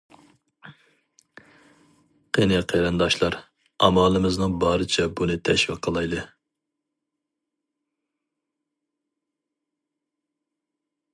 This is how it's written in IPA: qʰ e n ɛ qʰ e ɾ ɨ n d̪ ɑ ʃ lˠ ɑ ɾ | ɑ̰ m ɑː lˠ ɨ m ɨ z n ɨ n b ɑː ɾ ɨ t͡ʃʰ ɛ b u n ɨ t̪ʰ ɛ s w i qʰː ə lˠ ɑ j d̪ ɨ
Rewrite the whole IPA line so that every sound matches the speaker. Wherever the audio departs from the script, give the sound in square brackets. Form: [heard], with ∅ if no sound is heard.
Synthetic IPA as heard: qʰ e n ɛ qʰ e ɾ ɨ n d̪ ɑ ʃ lˠ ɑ ɾ | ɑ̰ m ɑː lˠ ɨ m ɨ z n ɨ [ŋ] b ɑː ɾ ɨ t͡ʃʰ ɛ b u n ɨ t̪ʰ ɛ [ʃ] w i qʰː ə lˠ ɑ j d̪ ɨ